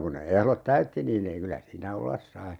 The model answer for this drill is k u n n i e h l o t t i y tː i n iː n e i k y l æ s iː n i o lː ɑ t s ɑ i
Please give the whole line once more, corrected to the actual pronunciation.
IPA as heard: k u n n e e h l o t t æ y tː i n iː n e i k y l æ s iː n æ o lː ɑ s s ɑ i